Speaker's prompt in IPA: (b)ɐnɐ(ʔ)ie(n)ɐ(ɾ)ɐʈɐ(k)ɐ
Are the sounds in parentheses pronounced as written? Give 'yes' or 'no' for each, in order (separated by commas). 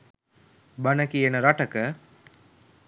yes, no, yes, yes, yes